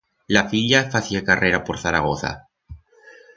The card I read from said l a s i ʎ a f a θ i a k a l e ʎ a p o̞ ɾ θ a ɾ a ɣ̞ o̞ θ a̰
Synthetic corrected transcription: l a f i ʎ a f a θ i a k a r e ɾ a p o̞ ɾ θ a ɾ a ɣ̞ o̞ θ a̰